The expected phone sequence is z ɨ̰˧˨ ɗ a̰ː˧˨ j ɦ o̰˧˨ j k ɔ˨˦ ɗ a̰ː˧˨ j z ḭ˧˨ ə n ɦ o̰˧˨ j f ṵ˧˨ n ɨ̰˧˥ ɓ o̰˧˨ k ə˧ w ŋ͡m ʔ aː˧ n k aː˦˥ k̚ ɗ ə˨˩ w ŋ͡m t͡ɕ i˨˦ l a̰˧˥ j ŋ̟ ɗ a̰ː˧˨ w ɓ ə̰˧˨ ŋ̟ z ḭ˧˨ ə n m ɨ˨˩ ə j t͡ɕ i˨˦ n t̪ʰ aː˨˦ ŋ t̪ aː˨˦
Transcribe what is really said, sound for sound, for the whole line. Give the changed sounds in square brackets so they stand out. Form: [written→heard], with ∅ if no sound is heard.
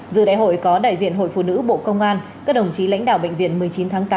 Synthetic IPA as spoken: z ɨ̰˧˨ ɗ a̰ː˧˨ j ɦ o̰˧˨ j k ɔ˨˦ ɗ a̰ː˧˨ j z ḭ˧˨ ə n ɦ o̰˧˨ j f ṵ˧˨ n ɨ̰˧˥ ɓ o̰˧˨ k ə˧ w ŋ͡m ʔ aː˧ n k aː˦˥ k̚ ɗ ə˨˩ w ŋ͡m t͡ɕ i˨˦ l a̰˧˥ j ŋ̟ ɗ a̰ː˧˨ w ɓ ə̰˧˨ ŋ̟ [z→v] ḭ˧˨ ə n m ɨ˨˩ ə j t͡ɕ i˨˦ n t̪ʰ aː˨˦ ŋ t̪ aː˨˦